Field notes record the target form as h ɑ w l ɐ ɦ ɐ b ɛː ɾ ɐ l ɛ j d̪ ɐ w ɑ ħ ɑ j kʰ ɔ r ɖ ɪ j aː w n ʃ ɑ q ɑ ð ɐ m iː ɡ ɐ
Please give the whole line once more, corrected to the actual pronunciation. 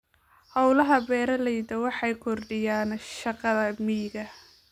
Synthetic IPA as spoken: h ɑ w l ɐ ɦ ɐ b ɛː ɾ ɐ l ɛ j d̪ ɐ w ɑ ħ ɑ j kʰ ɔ r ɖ ɪ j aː n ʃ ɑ q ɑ ð ɐ m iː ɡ ɐ